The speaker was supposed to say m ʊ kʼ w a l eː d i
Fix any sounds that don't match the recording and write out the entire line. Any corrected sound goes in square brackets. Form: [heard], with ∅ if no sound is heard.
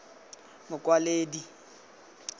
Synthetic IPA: m ʊ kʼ w a l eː d i